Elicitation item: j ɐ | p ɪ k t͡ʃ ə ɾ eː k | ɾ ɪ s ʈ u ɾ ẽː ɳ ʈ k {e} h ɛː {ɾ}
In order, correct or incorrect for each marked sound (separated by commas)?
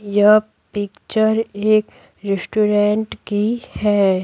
incorrect, incorrect